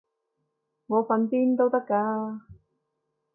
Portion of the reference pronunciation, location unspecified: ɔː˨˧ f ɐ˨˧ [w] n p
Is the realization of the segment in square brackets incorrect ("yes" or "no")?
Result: yes